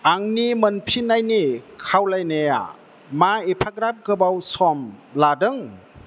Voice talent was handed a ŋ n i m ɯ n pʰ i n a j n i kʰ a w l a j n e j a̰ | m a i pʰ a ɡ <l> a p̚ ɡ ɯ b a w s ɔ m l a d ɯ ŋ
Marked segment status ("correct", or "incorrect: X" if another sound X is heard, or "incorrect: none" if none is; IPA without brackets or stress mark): incorrect: ɾ